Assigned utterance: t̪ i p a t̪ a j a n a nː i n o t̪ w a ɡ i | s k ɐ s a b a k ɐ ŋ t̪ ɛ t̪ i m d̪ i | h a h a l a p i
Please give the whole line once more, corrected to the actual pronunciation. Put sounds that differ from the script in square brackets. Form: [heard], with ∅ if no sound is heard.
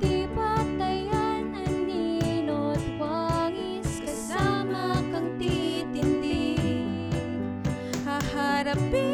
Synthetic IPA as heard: t̪ i p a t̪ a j a n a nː i n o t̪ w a [ŋ] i | s k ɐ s a [m] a k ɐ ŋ t̪ [i] t̪ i [n] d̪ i | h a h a [ɾ] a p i